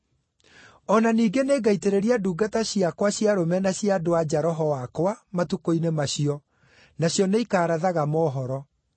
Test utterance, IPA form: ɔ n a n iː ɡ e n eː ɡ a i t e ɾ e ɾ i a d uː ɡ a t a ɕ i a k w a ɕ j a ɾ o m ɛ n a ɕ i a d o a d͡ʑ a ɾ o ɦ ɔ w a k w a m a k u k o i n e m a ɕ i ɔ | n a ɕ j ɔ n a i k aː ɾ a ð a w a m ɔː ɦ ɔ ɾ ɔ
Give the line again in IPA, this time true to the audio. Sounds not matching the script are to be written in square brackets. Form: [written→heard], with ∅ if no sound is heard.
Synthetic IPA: ɔ n a n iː ɡ e n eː ɡ a i t e ɾ e ɾ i a d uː ɡ a t a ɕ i a k w a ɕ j a ɾ o m ɛ n a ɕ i a d o a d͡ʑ a ɾ [o→ɔ] ɦ ɔ w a k w a m a [k→t] u k o i n e m a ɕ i ɔ | n a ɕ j ɔ n [a→e] i k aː ɾ a ð a [w→ɣ] a m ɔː ɦ ɔ ɾ ɔ